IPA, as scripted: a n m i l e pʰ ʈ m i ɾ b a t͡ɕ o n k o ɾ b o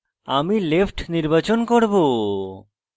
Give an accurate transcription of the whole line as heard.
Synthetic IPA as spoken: a m i l e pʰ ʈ n i ɾ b a t͡ɕ o n k o ɾ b o

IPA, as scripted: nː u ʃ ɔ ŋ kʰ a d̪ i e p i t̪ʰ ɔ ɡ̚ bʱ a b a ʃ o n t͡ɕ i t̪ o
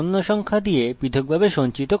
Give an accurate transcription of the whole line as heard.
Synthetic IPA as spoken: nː o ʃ ɔ ŋ kʰ a d̪ i e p i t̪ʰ o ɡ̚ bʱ a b e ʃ o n t͡ɕ i t̪ o

